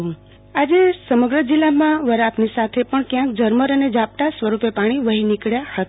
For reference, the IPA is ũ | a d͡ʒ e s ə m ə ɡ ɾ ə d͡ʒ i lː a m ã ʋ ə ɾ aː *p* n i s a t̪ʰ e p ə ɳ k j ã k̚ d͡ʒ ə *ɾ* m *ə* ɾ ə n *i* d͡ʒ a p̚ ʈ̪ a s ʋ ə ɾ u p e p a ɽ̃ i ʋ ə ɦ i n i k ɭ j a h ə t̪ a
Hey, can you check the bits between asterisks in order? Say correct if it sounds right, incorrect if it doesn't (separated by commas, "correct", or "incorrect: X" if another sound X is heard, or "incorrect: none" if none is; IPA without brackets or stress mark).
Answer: correct, correct, correct, incorrect: e